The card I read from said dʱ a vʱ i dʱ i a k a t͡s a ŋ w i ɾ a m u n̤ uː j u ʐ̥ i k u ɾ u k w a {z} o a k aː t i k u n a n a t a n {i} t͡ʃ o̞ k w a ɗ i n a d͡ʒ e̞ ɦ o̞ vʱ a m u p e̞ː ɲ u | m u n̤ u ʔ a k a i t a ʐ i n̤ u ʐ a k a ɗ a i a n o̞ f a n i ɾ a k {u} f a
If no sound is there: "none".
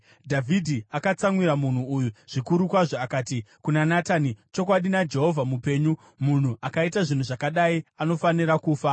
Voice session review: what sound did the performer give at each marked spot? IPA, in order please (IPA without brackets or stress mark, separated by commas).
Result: ʐ, i, uː